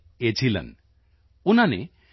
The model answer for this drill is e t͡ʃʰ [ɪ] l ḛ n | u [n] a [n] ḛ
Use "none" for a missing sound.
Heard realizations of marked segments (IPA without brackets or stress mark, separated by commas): i, n, n